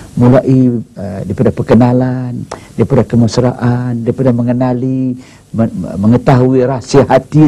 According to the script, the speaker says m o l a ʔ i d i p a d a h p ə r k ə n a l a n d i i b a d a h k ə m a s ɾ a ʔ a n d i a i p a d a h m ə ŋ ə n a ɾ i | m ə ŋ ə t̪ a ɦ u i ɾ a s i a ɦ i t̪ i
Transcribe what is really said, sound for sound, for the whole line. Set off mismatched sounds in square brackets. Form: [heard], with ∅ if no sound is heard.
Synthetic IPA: m [u] l a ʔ i d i p a d a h p ə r k ə n a l a n d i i [p] a d a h k ə m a s ɾ a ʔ a n d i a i p a d a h m ə ŋ ə n a [l] i | m ə ŋ ə t̪ a ɦ u i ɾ a s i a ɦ [a] t̪ i